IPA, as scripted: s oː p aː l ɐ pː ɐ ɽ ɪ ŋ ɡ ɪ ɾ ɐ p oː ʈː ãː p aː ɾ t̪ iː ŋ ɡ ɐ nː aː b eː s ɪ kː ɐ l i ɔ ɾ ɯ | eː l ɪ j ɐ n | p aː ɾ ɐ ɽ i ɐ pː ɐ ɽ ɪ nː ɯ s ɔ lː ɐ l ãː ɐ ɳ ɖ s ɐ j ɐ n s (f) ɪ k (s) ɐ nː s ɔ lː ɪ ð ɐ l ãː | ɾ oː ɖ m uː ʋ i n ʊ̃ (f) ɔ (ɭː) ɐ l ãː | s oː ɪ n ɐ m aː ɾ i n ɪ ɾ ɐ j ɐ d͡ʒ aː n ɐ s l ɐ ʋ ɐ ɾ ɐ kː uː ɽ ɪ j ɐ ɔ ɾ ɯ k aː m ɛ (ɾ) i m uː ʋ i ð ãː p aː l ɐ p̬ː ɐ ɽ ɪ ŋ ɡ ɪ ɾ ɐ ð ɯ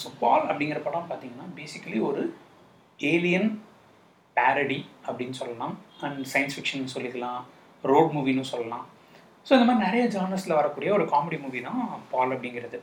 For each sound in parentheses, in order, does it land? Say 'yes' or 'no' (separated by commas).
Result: yes, no, no, no, no